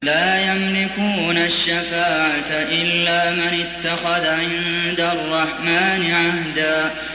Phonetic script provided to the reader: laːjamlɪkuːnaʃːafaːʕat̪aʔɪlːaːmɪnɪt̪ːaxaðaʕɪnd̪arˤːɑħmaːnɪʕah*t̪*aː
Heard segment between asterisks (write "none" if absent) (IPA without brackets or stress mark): d̪